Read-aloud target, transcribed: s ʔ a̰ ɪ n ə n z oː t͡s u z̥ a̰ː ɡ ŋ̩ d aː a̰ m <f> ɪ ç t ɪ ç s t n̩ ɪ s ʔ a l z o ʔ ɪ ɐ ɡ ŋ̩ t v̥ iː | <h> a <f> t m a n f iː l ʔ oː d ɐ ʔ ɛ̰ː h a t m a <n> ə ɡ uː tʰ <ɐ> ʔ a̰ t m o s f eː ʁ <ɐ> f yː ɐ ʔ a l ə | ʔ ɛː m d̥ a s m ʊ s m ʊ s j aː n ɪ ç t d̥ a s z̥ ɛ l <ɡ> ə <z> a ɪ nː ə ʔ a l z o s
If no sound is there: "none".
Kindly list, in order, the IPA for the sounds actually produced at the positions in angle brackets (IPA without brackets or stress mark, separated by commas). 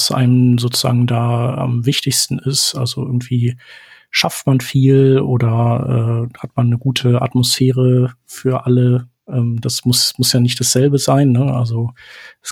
v, ʃ, f, nː, ə, ə, b, z